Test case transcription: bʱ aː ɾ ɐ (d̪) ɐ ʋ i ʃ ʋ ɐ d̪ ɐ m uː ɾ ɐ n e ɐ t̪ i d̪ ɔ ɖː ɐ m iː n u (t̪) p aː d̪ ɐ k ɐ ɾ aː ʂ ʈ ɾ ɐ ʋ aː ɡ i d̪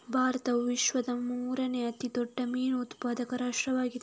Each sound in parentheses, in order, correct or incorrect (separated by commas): incorrect, correct